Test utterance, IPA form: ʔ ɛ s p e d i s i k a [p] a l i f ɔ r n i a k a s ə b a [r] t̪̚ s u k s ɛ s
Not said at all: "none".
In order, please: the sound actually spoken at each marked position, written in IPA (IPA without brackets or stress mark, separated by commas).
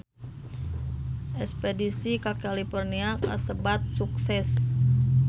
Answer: k, none